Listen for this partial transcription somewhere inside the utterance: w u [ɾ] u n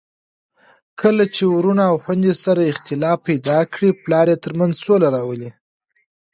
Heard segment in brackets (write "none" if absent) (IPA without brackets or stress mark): ɾ